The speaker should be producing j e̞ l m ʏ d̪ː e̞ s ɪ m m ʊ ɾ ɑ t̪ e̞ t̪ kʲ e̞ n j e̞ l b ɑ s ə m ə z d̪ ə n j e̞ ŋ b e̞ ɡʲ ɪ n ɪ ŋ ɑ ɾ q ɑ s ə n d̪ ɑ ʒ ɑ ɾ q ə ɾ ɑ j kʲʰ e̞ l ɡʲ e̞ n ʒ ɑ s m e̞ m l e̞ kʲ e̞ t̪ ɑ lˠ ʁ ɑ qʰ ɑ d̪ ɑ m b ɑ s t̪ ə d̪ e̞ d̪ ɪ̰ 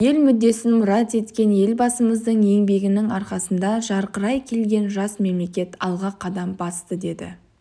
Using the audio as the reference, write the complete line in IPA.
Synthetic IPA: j e̞ l m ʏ d̪ː e̞ s ɪ n m ʊ ɾ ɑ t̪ e̞ t̪ kʲ e̞ n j e̞ l b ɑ s ə m ə z d̪ ə ɴ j e̞ ŋ b e̞ ɡʲ ɪ n ɪ ŋ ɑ ɾ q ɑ s ə n d̪ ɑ ʒ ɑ ɾ q ə ɾ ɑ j kʲʰ e̞ l ɡʲ e̞ n ʒ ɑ s m e̞ m l e̞ kʲ e̞ t̪ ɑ lˠ ʁ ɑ qʰ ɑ d̪ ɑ m b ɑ s t̪ ə d̪ e̞ d̪ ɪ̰